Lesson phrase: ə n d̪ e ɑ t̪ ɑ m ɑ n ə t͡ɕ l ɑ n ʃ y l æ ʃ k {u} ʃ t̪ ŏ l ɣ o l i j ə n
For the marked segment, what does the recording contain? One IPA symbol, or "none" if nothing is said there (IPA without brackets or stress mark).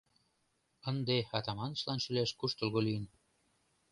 u